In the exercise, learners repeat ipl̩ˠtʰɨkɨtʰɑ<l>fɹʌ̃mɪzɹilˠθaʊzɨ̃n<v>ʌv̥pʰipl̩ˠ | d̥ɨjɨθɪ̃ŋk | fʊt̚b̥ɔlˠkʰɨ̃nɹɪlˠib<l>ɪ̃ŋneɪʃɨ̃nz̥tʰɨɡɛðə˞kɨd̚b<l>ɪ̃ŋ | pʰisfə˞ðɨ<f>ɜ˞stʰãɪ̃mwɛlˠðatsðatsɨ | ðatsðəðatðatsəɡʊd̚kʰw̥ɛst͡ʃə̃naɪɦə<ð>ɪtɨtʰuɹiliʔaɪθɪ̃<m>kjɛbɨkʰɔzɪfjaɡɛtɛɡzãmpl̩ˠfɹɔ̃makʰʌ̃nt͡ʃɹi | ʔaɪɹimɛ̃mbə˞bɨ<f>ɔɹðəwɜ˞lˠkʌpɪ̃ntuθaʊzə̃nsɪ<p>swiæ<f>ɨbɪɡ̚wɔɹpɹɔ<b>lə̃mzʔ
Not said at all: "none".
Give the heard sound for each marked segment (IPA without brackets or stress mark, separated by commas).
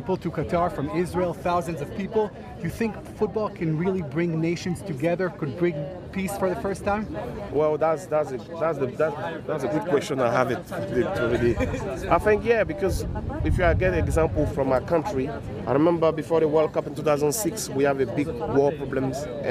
ɹ, z, ɹ, ɹ, f, v, ŋ, f, k, v, b